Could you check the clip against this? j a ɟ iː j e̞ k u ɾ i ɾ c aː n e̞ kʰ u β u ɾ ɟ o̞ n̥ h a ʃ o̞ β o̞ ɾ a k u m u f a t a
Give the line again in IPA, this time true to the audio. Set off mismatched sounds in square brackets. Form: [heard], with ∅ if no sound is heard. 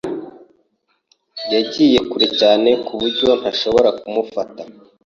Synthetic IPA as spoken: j a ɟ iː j e̞ k u ɾ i [∅] c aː n e̞ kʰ u β u ɾ ɟ o̞ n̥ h a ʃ o̞ β o̞ ɾ a k u m u f a t a